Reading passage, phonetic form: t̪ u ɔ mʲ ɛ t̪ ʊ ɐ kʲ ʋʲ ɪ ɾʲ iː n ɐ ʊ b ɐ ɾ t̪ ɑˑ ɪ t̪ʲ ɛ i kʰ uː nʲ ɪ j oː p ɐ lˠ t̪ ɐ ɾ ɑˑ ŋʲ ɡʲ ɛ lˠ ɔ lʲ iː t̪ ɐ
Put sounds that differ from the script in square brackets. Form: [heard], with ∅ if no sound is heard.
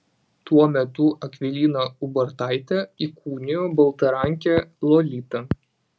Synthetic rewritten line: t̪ u ɔ mʲ ɛ t̪ ʊ ɐ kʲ ʋʲ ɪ [lʲ] iː n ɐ ʊ b ɐ ɾ t̪ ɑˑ ɪ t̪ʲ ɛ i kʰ uː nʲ ɪ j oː [b] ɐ lˠ t̪ ɐ ɾ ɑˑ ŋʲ [kʲ] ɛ lˠ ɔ lʲ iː t̪ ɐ